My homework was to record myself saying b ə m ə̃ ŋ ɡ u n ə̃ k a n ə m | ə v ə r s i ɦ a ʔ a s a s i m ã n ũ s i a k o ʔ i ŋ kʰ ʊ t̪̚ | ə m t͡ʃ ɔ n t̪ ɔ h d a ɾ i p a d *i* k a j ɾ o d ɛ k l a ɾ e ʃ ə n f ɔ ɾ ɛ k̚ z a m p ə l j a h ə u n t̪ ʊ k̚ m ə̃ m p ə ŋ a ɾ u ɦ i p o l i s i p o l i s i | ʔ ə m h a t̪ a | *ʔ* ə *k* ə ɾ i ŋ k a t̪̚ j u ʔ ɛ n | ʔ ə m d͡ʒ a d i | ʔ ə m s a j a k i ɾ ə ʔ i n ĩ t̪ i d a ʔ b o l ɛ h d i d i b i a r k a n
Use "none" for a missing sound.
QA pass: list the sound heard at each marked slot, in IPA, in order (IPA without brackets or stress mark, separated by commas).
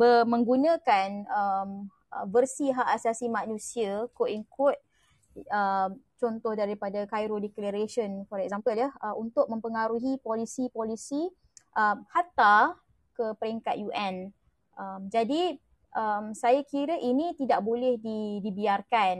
a, k, p